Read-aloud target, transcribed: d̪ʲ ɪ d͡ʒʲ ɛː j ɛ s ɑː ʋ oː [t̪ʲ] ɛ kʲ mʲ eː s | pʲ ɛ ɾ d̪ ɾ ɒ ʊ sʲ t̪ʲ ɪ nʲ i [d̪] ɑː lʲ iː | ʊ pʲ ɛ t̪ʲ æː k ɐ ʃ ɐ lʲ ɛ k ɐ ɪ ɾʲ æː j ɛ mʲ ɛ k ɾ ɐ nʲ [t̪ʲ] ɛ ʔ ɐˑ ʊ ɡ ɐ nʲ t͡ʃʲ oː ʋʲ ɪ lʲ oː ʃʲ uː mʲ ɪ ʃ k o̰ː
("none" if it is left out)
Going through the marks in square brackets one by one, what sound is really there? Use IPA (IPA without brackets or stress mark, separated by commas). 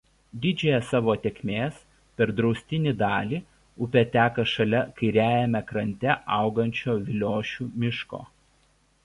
t̪ʲ, d̪, t̪ʲ